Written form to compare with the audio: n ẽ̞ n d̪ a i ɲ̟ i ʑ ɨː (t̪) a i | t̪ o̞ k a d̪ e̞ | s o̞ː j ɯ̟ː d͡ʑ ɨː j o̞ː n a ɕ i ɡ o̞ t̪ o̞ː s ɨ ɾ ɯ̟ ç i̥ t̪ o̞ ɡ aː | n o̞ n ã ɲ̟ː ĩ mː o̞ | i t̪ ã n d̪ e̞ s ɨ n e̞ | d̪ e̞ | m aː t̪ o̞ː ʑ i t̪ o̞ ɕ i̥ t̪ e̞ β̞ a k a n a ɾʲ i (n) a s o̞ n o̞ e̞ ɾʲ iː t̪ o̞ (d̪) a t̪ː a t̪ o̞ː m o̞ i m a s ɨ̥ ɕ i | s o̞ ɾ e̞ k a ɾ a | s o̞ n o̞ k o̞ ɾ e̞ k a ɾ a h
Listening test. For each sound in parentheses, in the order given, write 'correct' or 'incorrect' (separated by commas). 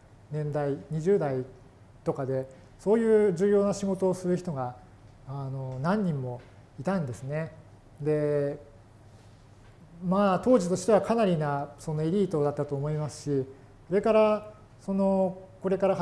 incorrect, correct, correct